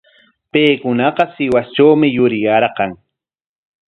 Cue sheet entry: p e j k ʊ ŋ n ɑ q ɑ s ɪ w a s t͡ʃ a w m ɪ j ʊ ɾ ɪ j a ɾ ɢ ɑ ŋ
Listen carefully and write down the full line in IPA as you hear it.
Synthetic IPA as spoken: p e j k ʊ n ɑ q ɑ s ɪ w a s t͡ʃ a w m ɪ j ʊ ɾ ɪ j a ɾ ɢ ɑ ŋ